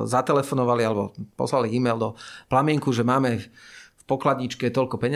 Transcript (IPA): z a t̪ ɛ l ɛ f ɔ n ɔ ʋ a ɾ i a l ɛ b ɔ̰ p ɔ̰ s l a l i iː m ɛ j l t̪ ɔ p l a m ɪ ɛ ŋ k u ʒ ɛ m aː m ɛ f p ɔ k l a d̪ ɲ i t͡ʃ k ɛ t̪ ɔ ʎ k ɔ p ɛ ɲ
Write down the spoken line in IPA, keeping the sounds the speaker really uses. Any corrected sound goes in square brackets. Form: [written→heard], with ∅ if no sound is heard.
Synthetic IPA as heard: z a t̪ ɛ l ɛ f ɔ n ɔ ʋ a [ɾ→l] i a l ɛ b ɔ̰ p ɔ̰ s l a l i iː m ɛ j l [t̪→d̪] ɔ p l a m ɪ ɛ ŋ k u ʒ ɛ m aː m ɛ f p ɔ k l a d̪ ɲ i t͡ʃ k ɛ t̪ ɔ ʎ k ɔ p ɛ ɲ